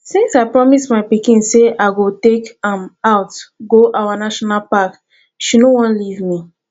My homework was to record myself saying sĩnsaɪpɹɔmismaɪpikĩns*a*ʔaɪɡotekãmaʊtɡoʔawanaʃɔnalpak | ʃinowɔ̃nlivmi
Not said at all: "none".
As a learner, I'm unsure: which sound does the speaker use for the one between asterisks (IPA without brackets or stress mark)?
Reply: e